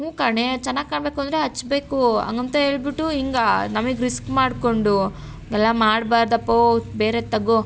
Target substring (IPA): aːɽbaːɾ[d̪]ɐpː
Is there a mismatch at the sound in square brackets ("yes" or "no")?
no